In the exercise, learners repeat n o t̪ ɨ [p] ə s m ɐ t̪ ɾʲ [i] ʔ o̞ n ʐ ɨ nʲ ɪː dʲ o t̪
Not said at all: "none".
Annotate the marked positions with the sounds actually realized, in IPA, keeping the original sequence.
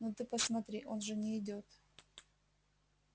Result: p, i

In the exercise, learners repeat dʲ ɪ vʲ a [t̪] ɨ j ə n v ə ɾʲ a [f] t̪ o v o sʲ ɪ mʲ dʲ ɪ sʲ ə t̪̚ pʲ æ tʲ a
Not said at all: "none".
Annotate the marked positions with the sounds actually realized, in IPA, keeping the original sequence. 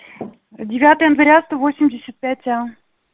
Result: t̪, s

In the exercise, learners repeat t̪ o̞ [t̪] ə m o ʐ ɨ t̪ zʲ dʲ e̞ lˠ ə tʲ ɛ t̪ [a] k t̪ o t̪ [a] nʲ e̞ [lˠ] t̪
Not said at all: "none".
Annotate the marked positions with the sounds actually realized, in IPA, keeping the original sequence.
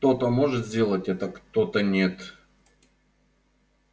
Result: t̪, ə, ə, none

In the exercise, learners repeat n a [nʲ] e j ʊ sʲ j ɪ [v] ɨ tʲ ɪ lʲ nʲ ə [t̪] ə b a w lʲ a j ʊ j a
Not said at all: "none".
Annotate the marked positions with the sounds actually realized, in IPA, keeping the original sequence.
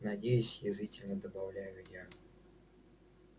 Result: dʲ, z, d̪

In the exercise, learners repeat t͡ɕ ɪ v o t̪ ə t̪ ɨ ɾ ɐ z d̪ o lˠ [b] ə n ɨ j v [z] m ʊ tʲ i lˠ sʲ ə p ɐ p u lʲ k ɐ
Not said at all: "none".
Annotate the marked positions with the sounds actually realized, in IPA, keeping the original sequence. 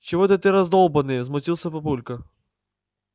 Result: b, z

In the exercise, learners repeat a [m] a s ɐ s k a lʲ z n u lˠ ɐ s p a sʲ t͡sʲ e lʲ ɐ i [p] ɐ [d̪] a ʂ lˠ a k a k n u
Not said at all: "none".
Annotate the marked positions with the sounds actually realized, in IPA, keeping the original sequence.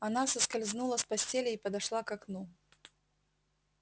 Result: n, p, d̪

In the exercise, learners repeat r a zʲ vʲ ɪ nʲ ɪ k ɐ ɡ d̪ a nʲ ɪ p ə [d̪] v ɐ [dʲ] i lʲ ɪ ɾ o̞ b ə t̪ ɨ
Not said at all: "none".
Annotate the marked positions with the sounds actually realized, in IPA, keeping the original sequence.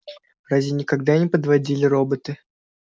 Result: d̪, dʲ

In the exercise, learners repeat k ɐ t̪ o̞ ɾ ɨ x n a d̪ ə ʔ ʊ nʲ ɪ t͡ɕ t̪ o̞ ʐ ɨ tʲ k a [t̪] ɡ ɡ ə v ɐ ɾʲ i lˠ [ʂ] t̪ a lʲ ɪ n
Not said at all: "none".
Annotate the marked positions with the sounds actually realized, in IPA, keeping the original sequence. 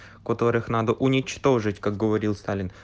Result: none, s

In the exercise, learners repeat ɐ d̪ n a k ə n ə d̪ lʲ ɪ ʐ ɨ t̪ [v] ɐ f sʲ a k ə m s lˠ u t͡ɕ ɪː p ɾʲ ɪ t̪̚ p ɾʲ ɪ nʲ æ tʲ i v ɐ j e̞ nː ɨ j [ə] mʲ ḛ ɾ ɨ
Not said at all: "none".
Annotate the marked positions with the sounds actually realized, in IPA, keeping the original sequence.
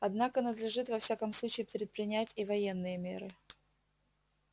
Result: v, ə

